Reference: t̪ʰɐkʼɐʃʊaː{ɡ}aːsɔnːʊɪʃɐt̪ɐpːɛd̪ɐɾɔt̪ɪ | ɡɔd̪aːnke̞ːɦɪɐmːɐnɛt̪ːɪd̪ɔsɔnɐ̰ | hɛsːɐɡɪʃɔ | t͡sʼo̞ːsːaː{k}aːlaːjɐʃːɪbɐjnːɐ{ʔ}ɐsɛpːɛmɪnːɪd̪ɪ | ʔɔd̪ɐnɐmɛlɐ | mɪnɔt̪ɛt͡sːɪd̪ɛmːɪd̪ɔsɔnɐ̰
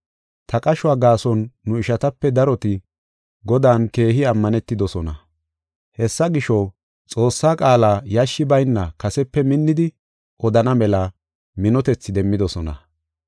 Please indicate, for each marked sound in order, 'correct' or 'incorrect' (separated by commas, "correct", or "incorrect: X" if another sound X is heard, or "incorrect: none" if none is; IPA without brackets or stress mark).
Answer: correct, incorrect: kʼ, incorrect: k